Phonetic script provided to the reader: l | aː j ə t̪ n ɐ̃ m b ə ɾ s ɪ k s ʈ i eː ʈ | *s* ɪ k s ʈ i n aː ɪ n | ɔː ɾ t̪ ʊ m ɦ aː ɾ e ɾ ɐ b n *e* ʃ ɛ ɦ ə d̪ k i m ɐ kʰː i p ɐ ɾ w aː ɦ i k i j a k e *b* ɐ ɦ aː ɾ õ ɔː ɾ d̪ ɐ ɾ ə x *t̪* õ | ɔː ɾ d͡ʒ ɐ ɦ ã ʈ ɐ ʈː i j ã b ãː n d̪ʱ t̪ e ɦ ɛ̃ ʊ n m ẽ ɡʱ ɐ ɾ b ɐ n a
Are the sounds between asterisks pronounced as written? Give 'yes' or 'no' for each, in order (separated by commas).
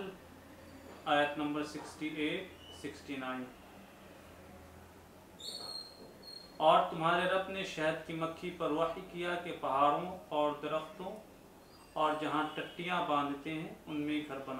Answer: yes, yes, no, yes